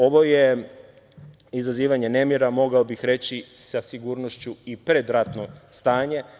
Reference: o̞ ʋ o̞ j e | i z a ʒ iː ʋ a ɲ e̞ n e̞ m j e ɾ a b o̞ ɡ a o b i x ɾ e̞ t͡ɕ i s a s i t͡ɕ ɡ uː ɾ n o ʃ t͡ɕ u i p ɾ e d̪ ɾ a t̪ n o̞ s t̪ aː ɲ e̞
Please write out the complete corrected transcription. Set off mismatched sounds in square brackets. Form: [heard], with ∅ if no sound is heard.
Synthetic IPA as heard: o̞ ʋ o̞ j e | i z a [z] iː ʋ a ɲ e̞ n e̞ m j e ɾ a [m] o̞ ɡ a o b i x ɾ e̞ t͡ɕ i s a s i [∅] ɡ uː ɾ n o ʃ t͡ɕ u i p ɾ e d̪ ɾ a t̪ n o̞ s t̪ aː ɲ e̞